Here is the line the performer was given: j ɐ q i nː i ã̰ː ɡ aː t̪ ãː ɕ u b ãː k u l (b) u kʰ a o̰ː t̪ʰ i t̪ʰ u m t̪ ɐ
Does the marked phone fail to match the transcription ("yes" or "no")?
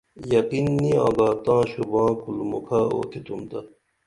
yes